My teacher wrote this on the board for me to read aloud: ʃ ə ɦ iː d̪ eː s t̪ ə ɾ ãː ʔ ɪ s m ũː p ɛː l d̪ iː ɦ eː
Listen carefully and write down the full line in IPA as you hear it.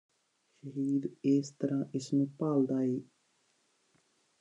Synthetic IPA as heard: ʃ ə ɦ iː d̪ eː s t̪ ə ɾ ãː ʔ ɪ s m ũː p aː l d̪ aː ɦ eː